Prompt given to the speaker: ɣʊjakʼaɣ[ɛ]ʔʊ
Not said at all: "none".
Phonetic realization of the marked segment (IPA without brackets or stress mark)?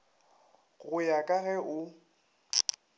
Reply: ɛ